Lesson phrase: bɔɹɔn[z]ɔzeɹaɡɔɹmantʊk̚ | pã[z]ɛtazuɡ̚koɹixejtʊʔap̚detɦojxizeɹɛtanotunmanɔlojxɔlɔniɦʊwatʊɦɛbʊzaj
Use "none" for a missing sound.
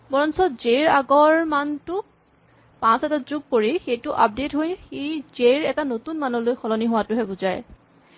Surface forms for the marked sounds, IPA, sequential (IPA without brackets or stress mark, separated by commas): s, s